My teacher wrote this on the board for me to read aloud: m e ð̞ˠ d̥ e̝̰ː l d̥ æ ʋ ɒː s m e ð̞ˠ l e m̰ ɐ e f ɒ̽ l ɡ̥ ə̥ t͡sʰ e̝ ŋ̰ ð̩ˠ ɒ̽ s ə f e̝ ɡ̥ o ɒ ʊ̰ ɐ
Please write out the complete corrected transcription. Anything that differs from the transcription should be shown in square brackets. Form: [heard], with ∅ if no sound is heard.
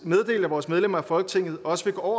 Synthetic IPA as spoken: m e ð̞ˠ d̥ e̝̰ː l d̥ æ ʋ ɒː s m e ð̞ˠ l e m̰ ɐ [æ] f ɒ̽ l ɡ̥ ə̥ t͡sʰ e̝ ŋ̰ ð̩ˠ ɒ̽ s ə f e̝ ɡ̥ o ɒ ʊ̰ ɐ